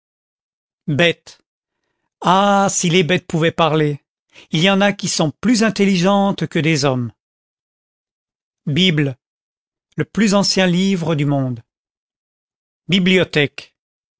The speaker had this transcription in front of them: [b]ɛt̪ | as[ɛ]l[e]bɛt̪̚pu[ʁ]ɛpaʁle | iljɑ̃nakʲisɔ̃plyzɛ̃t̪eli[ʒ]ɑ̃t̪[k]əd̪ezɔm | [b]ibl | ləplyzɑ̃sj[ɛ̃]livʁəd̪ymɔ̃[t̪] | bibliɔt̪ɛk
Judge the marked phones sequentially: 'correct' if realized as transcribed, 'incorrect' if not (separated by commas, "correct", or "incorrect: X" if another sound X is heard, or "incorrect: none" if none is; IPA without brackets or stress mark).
correct, incorrect: i, correct, incorrect: v, correct, correct, correct, correct, incorrect: d̪